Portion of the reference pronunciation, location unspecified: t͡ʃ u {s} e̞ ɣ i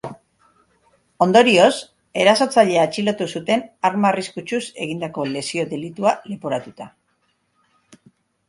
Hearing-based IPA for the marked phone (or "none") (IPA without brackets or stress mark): s